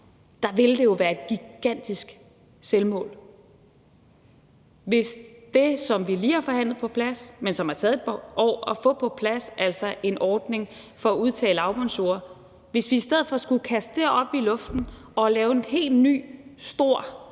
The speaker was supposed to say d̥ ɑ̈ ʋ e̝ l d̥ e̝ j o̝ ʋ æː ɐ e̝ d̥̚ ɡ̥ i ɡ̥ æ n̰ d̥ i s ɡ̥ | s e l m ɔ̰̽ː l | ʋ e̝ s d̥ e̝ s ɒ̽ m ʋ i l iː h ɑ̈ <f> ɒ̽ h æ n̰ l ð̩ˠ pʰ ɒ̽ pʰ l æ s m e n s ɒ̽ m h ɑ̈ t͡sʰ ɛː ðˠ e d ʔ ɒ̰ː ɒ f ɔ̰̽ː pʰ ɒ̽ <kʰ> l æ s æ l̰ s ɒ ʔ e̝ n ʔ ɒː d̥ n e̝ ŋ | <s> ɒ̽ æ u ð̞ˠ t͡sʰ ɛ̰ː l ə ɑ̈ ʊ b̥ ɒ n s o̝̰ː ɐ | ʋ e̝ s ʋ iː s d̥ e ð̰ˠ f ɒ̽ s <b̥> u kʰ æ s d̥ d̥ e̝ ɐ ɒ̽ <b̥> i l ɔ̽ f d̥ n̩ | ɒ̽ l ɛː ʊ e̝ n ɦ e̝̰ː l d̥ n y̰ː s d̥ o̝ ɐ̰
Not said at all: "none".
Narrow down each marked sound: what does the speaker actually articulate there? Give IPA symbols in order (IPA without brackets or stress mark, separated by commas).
f, pʰ, f, ɡ̥, b̥